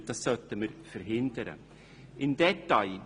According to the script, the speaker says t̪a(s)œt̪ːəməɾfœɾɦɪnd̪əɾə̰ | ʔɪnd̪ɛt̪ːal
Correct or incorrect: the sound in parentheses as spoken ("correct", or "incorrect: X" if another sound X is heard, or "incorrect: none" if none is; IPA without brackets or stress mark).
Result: correct